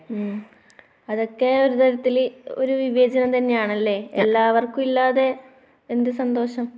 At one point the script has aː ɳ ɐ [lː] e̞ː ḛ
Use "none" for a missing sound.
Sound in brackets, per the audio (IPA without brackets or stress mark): lː